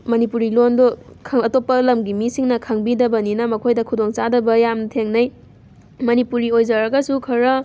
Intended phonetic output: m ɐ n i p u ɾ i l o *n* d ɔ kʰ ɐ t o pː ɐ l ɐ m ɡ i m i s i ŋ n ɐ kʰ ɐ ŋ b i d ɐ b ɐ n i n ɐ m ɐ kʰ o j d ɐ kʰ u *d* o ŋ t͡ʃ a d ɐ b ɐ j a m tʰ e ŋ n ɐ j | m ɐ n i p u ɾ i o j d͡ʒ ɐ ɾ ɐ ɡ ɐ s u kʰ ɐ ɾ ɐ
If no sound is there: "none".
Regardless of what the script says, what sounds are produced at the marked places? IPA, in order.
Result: n, d

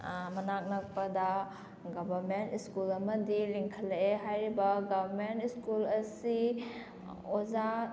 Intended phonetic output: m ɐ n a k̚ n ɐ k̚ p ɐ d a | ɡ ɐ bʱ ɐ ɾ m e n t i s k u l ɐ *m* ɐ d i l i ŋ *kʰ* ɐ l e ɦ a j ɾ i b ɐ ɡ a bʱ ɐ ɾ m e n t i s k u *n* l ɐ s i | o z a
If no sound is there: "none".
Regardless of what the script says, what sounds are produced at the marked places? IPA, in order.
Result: m, kʰ, none

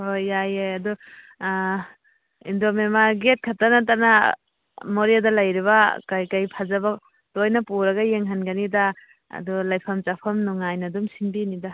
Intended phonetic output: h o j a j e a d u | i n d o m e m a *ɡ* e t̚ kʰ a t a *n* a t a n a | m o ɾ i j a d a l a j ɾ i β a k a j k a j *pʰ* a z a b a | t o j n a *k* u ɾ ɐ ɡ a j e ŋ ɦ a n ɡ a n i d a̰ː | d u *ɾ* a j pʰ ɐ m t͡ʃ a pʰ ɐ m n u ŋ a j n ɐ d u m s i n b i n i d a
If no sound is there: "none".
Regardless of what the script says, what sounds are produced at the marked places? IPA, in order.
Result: ɡ, n, pʰ, p, l

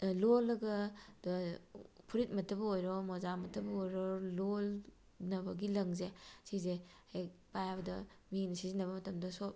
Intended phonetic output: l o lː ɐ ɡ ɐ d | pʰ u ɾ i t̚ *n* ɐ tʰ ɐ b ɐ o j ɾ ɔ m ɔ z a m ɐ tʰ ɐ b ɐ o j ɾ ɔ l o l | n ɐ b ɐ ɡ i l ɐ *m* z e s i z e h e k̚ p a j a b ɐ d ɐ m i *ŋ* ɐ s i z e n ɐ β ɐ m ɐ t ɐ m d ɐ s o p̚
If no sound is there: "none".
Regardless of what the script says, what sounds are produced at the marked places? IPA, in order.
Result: m, ŋ, n

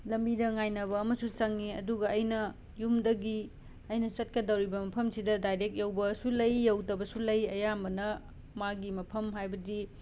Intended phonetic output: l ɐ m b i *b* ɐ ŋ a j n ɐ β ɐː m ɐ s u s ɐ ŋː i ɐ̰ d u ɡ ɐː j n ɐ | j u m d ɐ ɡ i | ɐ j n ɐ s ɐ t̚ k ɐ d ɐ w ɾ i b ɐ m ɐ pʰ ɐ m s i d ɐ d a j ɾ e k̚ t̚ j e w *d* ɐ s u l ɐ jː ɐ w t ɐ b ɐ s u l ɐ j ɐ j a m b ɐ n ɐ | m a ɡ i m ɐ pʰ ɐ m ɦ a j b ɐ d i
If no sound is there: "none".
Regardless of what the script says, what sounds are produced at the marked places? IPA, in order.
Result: d, b

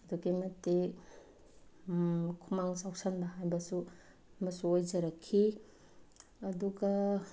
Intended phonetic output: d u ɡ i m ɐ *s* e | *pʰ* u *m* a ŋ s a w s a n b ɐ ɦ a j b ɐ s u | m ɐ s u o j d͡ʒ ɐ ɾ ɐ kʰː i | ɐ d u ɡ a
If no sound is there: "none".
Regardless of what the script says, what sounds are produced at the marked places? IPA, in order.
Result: t, kʰ, m

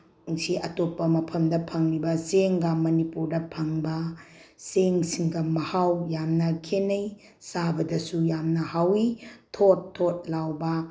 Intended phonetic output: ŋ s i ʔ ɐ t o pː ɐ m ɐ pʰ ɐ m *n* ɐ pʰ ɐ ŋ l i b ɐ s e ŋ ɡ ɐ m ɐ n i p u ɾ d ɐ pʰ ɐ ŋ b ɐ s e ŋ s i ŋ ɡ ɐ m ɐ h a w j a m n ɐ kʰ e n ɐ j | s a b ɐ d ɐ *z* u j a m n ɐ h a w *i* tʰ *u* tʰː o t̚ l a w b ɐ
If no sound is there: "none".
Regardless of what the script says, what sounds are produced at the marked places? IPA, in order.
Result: d, s, i, o

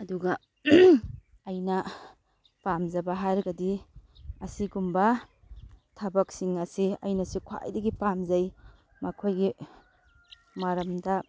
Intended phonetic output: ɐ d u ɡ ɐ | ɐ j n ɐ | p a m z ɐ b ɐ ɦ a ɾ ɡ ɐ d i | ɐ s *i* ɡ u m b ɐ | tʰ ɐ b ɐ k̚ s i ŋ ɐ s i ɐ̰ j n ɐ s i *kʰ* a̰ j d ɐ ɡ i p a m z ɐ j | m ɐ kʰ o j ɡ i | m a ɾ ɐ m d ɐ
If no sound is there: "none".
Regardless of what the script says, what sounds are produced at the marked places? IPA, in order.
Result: i, kʰ

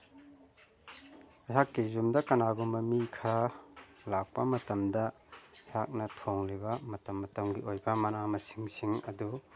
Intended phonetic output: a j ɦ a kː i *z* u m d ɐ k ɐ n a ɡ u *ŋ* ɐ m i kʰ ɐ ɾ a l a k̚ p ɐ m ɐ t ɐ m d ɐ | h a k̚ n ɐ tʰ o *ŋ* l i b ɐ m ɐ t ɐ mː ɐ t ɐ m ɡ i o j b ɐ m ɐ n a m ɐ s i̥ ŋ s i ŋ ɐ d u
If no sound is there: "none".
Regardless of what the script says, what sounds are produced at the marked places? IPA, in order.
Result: z, m, ŋ

